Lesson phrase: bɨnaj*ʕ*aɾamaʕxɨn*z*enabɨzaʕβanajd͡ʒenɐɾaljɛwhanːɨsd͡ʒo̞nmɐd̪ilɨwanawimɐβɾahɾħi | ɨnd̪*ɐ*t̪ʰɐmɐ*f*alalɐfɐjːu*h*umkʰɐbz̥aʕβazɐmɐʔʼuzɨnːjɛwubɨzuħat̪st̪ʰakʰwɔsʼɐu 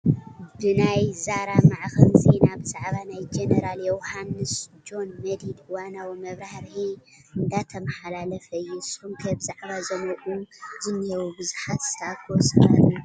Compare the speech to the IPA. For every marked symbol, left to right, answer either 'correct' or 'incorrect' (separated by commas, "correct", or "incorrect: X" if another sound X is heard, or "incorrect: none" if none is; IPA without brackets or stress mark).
incorrect: z, correct, incorrect: a, incorrect: ħ, incorrect: s